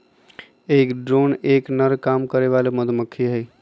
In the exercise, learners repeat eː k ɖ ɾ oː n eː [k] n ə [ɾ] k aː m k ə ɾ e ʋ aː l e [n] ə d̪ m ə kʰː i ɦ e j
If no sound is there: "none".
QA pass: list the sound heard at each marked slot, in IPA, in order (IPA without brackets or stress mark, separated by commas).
k, ɾ, m